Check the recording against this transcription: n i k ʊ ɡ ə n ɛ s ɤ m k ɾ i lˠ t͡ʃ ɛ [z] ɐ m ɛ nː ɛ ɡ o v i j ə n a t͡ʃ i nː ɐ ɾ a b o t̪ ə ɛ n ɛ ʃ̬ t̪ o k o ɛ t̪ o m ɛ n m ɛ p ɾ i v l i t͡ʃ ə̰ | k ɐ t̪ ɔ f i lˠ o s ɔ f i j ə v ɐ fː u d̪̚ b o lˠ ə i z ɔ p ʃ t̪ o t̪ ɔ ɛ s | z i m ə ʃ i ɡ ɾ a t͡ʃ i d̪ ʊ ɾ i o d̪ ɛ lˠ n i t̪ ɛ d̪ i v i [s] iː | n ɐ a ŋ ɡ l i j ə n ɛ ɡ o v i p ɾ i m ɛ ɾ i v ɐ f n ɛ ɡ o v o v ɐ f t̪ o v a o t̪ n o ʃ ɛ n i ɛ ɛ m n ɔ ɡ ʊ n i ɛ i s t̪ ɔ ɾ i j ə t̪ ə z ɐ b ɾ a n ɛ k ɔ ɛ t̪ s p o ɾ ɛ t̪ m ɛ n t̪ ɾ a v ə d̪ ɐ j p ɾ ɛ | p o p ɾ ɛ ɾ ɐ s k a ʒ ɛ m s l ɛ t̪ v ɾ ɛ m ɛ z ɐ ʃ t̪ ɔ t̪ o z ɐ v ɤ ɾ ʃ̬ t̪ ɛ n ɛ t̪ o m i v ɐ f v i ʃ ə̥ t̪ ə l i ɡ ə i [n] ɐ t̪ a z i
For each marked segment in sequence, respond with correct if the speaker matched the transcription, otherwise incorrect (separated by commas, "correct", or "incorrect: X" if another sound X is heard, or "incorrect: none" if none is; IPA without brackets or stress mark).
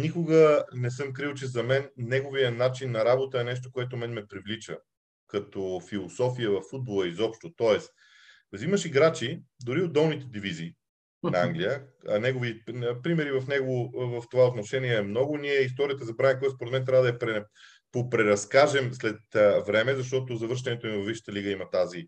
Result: correct, incorrect: z, incorrect: m